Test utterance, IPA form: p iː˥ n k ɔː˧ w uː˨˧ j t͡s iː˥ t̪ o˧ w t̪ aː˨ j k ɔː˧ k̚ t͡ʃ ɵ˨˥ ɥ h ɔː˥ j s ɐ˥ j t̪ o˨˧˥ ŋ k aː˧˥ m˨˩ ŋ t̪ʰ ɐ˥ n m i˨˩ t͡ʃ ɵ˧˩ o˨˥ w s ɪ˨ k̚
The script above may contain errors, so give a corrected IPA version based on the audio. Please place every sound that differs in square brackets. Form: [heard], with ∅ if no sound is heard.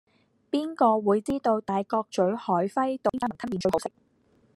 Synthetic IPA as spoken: p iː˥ n k ɔː˧ w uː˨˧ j t͡s iː˥ t̪ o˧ w t̪ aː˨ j k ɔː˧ k̚ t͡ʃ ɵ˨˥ ɥ h [ɔː˨˥] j [f] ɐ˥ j t̪ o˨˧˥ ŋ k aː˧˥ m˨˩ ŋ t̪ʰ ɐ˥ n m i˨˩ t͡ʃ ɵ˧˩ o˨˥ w s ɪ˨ k̚